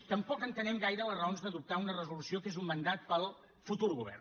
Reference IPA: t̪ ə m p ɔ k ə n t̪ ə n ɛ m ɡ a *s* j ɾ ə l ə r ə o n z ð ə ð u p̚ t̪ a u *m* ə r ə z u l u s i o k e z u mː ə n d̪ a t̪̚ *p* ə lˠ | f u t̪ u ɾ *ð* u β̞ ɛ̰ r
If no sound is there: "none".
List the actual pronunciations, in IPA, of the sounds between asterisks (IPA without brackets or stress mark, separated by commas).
none, n, p, ɣ